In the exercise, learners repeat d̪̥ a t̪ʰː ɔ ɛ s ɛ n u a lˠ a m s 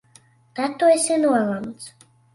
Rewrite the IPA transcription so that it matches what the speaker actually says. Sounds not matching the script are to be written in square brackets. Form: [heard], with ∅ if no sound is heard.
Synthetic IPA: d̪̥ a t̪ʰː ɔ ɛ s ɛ n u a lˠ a m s